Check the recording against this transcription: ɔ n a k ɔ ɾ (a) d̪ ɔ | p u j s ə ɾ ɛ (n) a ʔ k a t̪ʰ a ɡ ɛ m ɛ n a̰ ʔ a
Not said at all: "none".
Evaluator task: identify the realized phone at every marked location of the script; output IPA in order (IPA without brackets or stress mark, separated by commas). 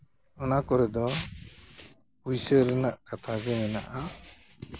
ɛ, n